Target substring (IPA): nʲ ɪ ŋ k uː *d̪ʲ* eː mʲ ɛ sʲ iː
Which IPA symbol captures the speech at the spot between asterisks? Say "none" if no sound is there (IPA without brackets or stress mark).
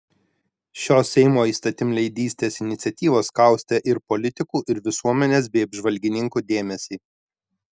d̪ʲ